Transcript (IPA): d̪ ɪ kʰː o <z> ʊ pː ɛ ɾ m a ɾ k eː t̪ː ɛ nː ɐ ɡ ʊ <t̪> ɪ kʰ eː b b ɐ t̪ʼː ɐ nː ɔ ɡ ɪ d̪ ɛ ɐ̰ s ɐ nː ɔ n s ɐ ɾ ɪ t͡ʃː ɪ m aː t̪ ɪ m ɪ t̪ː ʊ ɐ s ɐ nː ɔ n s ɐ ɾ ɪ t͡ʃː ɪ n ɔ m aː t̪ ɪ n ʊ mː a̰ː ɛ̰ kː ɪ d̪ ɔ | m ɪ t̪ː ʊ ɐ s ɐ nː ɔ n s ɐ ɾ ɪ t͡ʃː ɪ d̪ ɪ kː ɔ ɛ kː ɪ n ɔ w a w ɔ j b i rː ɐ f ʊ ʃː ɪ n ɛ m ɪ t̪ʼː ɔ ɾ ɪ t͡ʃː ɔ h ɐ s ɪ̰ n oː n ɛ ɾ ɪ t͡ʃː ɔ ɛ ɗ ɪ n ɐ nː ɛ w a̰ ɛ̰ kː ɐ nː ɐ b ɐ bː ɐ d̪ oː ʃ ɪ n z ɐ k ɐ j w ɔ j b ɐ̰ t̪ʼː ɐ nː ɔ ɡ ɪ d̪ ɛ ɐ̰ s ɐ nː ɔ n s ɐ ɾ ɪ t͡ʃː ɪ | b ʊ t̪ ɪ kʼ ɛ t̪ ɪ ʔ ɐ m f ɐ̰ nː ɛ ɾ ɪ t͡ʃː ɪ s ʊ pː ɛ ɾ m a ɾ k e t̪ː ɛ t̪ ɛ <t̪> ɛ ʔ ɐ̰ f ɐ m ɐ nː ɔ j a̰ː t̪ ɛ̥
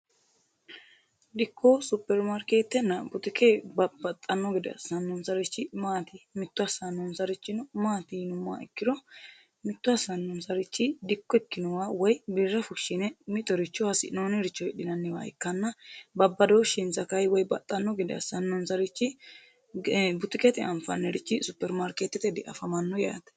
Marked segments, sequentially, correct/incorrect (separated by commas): incorrect, correct, incorrect